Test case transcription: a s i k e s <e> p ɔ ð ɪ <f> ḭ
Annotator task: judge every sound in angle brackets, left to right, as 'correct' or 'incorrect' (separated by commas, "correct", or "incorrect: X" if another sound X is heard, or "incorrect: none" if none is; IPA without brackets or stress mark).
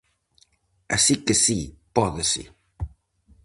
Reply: incorrect: i, incorrect: s